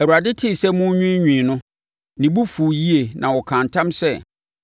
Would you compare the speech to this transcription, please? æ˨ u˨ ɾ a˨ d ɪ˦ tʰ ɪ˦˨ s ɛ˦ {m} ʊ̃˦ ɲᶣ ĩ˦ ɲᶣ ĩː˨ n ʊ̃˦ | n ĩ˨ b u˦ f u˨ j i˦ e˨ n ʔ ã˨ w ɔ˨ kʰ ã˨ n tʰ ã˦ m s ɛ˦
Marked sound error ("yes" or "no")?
no